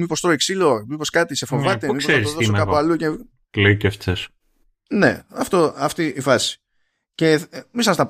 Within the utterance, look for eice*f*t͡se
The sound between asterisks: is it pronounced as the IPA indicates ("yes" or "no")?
yes